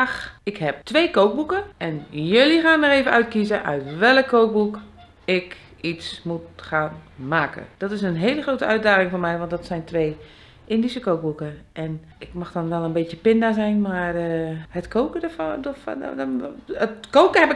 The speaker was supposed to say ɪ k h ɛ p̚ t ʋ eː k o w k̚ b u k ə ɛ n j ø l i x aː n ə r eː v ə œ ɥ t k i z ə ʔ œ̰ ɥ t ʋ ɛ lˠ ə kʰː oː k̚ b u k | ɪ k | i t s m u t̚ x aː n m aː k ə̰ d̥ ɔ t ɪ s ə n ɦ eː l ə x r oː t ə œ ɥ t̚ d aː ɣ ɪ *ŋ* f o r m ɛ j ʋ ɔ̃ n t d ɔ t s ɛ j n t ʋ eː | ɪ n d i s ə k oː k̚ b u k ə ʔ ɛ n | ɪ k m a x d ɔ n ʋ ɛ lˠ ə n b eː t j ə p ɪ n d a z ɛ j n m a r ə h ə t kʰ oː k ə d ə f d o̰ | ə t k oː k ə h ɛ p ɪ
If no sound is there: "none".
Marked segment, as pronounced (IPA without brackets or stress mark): ŋ